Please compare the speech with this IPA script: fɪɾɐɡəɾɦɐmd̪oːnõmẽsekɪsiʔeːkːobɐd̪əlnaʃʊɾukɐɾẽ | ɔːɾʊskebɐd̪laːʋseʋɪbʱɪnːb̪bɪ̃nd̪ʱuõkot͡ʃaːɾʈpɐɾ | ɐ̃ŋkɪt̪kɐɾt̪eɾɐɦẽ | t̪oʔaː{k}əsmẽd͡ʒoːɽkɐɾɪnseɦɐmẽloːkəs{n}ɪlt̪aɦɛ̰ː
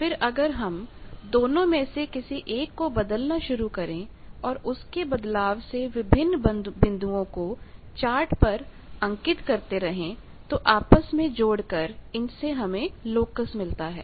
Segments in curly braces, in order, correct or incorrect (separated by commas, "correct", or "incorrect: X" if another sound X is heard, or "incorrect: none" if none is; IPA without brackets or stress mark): incorrect: p, incorrect: m